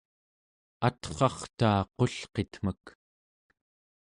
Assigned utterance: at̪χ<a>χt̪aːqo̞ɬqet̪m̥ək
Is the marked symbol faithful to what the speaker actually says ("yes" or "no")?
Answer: no